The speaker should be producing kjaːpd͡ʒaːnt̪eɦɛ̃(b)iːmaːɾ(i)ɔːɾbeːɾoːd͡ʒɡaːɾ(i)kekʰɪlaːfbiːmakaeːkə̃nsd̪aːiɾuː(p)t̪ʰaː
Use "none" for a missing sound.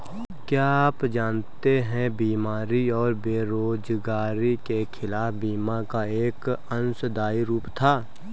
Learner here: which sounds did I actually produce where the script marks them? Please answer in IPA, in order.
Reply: b, i, i, p

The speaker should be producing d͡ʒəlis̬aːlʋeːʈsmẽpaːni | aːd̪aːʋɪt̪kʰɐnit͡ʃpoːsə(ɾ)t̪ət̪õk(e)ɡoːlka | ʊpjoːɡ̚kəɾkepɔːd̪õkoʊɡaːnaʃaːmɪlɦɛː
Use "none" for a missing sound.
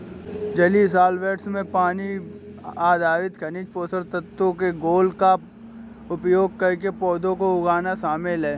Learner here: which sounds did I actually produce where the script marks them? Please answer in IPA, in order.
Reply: ɾ, e

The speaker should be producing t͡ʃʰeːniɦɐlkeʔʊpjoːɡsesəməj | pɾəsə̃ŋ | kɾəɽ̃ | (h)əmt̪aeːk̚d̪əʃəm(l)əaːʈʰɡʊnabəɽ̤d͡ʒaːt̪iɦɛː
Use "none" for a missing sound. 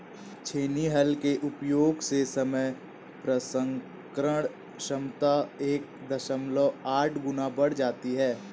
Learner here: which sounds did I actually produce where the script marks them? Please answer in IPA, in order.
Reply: ʃ, l

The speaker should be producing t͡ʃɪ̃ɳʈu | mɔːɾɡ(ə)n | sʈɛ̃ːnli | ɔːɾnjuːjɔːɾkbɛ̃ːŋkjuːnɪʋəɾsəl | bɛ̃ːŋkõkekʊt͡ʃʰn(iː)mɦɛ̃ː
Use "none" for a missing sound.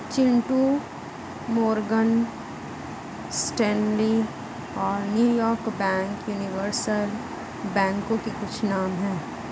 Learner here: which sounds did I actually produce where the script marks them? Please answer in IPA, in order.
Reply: ə, aː

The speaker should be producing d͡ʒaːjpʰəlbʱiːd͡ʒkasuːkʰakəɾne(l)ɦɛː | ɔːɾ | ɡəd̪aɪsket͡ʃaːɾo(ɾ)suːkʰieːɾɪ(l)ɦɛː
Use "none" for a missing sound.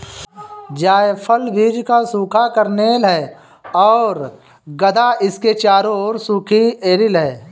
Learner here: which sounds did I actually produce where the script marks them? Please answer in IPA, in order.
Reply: l, ɾ, l

